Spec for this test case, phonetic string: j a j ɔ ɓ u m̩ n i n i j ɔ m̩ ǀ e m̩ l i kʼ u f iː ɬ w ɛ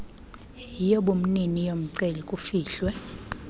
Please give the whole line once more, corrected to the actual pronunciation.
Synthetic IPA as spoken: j i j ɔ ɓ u m̩ n i n i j o m̩ ǀ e l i kʼ u f iː ɬ w ɛ